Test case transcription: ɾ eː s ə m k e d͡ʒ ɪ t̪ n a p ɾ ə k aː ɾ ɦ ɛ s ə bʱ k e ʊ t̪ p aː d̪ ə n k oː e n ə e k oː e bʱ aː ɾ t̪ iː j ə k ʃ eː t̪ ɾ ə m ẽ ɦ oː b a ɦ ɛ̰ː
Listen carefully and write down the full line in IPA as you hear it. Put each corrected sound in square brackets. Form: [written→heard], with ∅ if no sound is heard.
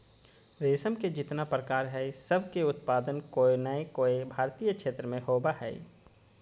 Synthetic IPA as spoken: ɾ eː s ə m k e d͡ʒ ɪ t̪ n a p ɾ ə k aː ɾ ɦ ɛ s ə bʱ k e ʊ t̪ p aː d̪ ə n k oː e n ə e k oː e bʱ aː ɾ t̪ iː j ə k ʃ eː t̪ ɾ ə m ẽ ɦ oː b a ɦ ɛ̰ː